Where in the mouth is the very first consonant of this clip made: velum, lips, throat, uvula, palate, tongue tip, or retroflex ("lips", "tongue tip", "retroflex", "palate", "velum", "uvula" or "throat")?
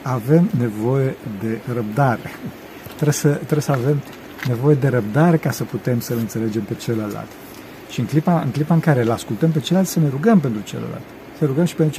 lips